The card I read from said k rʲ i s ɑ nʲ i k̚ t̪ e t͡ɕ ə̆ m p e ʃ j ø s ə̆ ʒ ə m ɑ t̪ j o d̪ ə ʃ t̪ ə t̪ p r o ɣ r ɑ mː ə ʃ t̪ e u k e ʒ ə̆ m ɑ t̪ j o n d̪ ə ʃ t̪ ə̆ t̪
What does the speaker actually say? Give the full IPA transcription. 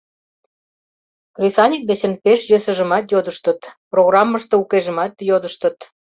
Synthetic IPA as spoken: k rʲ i s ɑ nʲ i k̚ d̪ e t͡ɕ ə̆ n p e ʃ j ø s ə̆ ʒ ə m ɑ t̪ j o d̪ ə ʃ t̪ ə t̪ p r o ɣ r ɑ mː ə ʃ t̪ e u k e ʒ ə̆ m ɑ t̪ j o d̪ ə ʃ t̪ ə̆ t̪